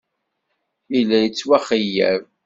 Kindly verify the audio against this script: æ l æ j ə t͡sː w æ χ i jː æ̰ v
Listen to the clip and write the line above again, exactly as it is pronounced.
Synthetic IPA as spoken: i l æ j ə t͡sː w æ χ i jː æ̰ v